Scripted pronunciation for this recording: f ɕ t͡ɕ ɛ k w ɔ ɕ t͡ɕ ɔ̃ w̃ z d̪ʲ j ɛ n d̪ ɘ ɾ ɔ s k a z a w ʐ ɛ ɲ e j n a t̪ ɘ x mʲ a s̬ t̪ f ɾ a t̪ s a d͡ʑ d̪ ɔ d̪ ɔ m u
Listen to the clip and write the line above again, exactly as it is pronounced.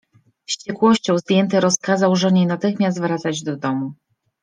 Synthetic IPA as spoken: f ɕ t͡ɕ ɛ k w ɔ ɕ t͡ɕ ɔ̃ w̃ z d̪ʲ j ɛ n t̪ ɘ ɾ ɔ s k a z a w ʐ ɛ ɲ e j n a t̪ ɘ x mʲ a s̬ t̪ v ɾ a t̪ s a d͡ʑ d̪ ɔ d̪ ɔ m u